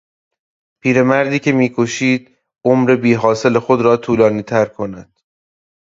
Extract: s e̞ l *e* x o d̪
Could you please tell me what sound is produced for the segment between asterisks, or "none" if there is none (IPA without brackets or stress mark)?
e